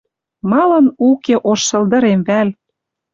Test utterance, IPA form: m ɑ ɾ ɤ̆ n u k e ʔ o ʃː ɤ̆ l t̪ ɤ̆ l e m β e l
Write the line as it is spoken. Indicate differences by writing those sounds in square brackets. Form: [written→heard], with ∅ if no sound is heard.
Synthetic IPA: m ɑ [ɾ→l] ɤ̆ n u k e ʔ o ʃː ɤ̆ l [t̪→d̪] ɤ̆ [l→ɾ] e m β [e→æ] l